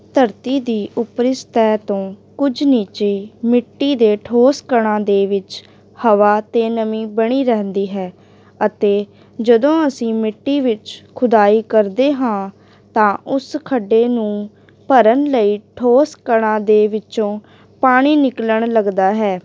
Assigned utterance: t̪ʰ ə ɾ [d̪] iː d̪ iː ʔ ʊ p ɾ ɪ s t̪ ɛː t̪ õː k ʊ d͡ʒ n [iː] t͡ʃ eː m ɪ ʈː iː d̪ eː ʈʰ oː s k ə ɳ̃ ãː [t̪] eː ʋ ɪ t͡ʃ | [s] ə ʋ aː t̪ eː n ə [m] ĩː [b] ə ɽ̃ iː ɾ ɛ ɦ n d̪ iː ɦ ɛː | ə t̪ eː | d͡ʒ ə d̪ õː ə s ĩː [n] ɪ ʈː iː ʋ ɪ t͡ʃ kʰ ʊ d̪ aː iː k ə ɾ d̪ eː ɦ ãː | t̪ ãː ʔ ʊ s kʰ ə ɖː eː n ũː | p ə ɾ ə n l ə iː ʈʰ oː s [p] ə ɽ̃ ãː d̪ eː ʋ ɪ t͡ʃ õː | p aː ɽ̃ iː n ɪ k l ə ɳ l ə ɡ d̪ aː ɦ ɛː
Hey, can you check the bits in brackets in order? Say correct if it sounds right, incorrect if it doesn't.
incorrect: t̪, correct, incorrect: d̪, incorrect: h, correct, correct, incorrect: m, incorrect: k

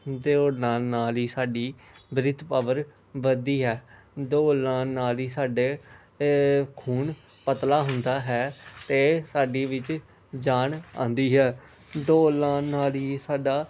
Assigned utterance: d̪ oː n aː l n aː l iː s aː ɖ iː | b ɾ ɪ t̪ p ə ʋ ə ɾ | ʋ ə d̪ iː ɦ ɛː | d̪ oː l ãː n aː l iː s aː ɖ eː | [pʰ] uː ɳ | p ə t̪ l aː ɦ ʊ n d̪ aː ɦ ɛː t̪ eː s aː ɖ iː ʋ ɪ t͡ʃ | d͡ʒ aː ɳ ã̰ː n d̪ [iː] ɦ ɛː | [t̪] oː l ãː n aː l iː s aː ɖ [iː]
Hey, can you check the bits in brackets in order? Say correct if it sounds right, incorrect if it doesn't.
incorrect: kʰ, correct, incorrect: d̪, incorrect: aː

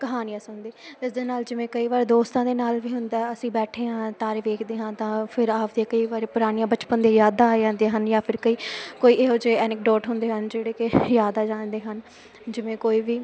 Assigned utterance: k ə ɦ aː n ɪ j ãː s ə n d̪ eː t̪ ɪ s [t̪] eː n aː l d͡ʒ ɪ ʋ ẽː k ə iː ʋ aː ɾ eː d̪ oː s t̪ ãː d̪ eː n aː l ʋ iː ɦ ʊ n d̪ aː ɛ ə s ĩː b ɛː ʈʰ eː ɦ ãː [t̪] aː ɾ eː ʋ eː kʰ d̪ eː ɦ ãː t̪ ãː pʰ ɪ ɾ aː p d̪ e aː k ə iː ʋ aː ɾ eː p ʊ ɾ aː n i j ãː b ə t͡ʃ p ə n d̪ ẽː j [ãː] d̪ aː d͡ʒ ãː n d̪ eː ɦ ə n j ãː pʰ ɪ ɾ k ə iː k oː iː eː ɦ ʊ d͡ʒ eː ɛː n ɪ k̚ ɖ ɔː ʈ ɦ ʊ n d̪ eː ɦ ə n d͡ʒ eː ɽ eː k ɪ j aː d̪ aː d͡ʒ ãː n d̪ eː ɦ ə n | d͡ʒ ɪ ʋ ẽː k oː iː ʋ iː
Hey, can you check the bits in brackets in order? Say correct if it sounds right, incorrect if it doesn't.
incorrect: d̪, correct, incorrect: aː

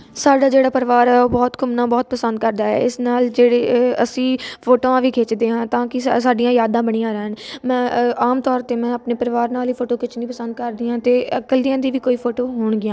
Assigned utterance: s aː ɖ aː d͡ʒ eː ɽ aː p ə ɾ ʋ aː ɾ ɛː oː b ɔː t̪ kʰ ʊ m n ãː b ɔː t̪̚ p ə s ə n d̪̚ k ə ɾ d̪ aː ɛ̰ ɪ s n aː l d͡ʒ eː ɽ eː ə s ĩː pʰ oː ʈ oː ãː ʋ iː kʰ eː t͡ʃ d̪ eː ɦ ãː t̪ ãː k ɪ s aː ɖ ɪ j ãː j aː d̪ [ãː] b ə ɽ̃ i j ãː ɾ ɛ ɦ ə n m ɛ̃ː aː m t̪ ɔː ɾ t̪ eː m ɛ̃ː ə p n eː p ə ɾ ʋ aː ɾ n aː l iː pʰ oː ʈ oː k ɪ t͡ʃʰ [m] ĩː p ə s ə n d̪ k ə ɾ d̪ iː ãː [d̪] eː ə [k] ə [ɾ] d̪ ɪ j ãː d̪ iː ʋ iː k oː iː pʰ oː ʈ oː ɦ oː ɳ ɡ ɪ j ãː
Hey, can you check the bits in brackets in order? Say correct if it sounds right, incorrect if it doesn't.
correct, incorrect: n, incorrect: t̪, correct, incorrect: l

